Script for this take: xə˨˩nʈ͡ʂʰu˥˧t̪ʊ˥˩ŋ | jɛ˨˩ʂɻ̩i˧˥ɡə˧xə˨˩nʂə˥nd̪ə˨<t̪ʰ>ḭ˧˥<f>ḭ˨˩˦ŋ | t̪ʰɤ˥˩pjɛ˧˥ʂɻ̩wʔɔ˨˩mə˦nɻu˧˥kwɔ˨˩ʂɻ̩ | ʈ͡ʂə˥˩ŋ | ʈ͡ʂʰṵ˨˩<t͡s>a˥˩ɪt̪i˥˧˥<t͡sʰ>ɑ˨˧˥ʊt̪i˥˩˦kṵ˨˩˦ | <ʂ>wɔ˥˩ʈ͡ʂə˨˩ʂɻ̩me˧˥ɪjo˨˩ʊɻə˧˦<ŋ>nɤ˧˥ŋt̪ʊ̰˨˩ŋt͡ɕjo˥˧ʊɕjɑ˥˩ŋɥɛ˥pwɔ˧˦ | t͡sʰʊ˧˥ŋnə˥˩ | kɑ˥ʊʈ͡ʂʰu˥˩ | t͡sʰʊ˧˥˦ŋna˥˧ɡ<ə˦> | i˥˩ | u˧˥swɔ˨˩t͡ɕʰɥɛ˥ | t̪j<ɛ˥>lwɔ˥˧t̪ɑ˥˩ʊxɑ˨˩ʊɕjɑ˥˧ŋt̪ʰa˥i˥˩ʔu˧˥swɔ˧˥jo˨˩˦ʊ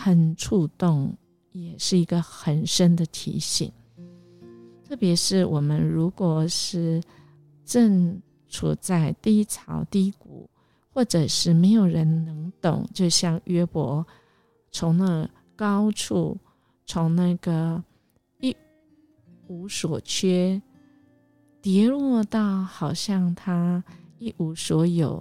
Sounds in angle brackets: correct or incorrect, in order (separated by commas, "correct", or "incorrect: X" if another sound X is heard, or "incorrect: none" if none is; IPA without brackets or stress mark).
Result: correct, incorrect: ɕ, correct, correct, incorrect: x, incorrect: n, incorrect: ə˩, incorrect: ɛ˧˥